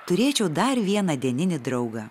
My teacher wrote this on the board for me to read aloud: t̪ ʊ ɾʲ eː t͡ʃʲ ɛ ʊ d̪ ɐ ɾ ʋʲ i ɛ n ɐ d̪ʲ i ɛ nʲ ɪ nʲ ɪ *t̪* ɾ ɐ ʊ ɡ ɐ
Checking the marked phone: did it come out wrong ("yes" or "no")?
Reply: yes